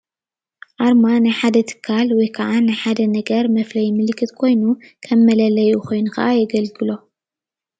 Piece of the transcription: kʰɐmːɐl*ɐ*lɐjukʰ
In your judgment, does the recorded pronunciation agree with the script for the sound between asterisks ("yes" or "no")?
yes